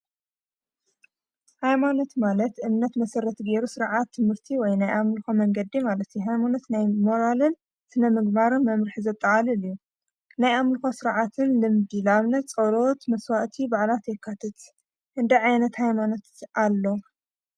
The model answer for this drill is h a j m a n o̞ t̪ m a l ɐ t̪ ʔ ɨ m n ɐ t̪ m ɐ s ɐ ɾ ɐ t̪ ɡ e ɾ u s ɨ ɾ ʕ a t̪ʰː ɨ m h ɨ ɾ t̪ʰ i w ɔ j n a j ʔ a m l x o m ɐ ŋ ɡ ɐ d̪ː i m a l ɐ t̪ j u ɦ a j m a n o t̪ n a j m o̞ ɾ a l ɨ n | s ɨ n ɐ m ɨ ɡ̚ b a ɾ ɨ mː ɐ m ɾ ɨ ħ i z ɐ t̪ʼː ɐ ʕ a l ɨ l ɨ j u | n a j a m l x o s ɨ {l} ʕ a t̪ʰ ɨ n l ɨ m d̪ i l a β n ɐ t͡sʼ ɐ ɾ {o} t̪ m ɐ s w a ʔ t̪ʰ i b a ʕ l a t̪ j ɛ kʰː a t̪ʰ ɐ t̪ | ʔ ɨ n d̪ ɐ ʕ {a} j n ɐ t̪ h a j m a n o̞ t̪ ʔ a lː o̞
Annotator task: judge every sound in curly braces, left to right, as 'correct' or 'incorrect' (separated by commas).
incorrect, correct, correct